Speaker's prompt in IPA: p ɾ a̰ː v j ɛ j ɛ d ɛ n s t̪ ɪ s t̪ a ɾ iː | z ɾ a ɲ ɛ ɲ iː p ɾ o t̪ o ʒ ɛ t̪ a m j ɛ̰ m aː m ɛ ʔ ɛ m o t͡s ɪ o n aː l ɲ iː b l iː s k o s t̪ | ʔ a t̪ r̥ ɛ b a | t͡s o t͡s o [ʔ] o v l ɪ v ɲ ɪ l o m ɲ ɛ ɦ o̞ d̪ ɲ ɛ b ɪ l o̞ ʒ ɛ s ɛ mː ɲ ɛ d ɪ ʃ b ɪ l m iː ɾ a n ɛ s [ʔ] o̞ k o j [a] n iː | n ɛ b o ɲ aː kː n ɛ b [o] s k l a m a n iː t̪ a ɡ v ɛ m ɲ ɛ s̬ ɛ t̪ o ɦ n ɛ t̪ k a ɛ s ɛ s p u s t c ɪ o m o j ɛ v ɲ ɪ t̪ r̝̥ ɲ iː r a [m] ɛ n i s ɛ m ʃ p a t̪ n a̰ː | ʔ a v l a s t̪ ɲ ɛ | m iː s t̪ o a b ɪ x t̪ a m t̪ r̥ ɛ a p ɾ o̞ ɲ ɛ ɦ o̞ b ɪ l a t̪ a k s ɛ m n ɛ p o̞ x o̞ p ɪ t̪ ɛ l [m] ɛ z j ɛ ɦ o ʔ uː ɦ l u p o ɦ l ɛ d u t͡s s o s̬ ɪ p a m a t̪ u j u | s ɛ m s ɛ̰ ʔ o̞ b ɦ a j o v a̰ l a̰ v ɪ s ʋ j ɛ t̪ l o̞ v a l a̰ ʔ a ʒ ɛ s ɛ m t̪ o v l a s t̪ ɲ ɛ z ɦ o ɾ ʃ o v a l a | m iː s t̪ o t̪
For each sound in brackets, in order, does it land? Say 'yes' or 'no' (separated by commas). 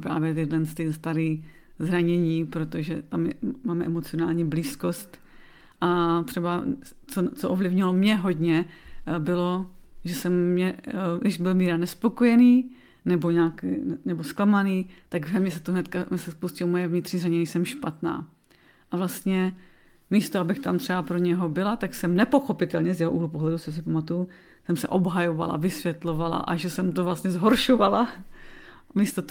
yes, no, no, yes, no, no